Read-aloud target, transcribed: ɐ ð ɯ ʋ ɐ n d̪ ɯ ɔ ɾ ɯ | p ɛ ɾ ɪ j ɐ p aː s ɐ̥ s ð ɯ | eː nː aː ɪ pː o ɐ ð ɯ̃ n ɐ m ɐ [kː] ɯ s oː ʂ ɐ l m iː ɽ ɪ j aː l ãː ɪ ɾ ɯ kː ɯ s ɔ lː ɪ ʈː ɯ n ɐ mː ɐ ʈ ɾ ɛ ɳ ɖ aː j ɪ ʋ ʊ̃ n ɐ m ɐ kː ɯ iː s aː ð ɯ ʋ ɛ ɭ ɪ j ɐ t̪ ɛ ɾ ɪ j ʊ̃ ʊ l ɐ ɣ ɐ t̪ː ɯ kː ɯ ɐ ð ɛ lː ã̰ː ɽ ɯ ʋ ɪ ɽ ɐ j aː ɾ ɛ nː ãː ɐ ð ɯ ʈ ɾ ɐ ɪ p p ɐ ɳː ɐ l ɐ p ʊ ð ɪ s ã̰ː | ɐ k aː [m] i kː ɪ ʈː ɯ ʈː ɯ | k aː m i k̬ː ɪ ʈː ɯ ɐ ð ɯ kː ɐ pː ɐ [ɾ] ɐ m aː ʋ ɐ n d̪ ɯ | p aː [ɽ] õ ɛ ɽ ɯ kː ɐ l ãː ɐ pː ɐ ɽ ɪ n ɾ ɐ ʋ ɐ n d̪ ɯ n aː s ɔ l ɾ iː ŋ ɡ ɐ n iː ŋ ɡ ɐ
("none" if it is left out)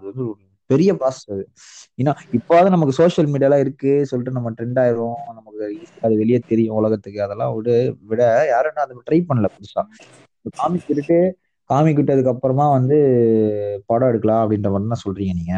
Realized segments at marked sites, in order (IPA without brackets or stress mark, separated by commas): kː, m, ɾ, ɽ